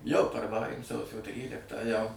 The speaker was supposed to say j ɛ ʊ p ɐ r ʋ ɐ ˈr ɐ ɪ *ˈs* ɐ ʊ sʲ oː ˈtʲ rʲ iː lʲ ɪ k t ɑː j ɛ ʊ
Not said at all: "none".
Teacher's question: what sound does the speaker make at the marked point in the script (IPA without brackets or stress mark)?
s